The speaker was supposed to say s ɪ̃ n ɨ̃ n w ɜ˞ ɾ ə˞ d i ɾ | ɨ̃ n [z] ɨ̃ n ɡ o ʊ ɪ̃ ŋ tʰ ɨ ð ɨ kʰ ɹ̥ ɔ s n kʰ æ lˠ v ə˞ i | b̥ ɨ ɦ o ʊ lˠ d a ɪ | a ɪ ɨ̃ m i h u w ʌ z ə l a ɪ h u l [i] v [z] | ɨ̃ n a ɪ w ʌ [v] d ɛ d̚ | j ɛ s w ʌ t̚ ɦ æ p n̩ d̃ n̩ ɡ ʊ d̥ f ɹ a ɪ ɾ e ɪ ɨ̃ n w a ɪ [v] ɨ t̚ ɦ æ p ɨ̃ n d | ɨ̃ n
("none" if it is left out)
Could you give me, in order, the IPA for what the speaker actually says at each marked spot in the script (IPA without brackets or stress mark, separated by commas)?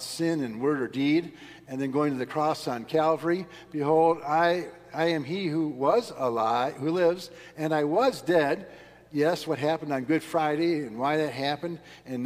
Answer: ð, ɪ, z, z, ð